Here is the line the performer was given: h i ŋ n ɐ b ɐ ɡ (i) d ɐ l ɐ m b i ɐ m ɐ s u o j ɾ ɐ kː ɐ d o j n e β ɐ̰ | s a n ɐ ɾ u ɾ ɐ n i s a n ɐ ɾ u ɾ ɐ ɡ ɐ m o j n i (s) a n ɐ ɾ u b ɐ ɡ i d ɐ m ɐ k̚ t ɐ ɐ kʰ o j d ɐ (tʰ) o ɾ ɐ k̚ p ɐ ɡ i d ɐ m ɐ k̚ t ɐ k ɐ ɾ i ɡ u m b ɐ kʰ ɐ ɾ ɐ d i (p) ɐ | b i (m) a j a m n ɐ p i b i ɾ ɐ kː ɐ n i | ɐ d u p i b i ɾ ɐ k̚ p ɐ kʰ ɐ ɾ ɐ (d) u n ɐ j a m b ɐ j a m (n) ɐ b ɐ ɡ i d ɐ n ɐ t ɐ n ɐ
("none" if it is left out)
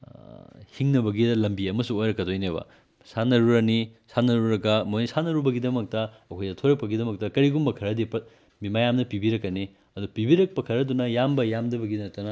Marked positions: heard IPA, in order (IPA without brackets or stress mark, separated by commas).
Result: i, s, tʰ, p, m, d, d